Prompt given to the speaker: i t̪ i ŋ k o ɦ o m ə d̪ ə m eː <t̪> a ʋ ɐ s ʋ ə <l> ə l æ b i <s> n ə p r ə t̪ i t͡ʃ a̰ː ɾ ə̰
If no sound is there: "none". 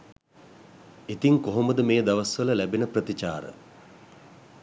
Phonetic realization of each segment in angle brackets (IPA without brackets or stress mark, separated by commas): d̪, l, none